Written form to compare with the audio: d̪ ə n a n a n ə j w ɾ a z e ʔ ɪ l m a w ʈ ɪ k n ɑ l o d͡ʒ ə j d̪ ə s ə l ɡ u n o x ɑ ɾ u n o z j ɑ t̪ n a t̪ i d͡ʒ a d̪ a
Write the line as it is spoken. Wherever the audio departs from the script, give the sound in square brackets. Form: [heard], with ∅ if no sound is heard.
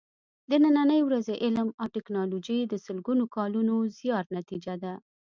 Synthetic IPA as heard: d̪ ə n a n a n ə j w ɾ a z e ʔ ɪ l m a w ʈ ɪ k n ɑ l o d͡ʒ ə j d̪ ə s ə l ɡ u n o [k] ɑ [l] u n o z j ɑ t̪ n a t̪ i d͡ʒ a d̪ a